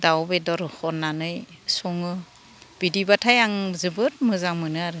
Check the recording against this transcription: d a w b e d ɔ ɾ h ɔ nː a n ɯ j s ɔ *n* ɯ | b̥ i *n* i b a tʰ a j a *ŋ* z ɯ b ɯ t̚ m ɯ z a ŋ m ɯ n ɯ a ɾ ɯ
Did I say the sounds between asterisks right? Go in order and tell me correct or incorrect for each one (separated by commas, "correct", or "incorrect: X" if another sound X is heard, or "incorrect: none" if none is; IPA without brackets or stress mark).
incorrect: ŋ, incorrect: d, correct